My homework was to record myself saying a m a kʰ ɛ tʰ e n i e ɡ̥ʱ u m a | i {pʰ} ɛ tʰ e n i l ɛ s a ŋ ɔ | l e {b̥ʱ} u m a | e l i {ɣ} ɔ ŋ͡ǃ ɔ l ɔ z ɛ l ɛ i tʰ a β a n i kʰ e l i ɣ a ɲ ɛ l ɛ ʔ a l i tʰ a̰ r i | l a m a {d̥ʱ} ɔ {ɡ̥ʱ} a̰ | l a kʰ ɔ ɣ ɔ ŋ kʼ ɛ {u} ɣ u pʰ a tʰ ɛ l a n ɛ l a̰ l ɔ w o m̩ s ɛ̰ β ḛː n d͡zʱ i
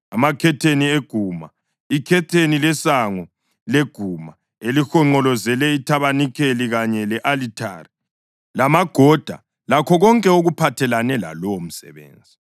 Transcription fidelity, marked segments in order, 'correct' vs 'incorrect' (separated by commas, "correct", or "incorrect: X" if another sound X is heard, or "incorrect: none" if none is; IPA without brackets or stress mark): incorrect: kʰ, incorrect: ɡ̥ʱ, incorrect: x, incorrect: ɡ̥ʱ, incorrect: d̥ʱ, incorrect: o